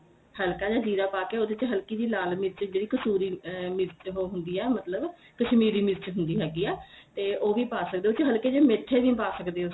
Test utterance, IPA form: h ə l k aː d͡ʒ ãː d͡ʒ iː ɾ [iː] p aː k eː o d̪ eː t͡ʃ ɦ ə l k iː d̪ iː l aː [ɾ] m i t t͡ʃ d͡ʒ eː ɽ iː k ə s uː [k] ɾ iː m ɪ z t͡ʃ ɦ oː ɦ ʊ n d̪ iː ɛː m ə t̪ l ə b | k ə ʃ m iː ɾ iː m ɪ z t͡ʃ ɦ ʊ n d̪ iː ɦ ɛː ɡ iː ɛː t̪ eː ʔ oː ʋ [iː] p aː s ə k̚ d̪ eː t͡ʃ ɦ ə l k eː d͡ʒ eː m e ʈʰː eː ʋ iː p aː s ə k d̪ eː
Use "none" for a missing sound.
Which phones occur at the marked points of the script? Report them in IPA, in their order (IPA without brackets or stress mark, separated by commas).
aː, l, none, iː